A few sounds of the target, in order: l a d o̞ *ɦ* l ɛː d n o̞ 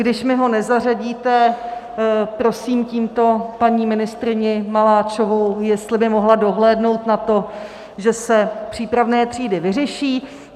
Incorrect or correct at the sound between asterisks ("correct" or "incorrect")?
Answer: correct